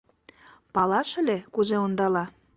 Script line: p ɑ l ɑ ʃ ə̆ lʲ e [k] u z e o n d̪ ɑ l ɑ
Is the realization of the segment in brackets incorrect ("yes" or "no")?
no